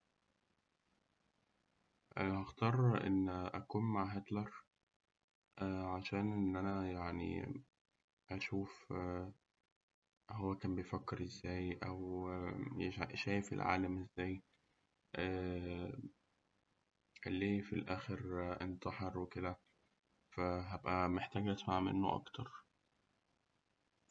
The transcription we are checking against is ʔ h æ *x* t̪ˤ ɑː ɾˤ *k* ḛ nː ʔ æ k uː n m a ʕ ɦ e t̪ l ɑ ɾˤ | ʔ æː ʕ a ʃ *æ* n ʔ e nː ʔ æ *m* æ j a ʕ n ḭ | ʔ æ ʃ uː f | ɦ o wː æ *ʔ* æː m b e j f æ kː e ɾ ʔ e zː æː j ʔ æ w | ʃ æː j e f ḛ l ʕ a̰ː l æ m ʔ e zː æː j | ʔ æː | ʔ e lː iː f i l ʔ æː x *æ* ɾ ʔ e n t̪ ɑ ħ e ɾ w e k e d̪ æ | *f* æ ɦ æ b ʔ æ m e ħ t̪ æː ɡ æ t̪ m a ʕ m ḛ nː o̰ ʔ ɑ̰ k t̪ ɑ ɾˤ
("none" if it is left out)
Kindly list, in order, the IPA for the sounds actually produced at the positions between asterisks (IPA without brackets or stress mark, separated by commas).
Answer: x, ʔ, æː, n, k, e, f